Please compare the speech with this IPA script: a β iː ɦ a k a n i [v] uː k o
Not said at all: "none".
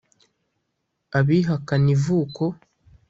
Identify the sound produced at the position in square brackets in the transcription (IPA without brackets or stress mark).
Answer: v